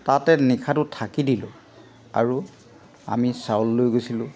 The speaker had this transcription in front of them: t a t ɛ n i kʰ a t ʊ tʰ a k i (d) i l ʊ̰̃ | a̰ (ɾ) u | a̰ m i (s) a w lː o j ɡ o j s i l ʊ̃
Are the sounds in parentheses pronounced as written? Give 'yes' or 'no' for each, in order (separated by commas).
yes, no, yes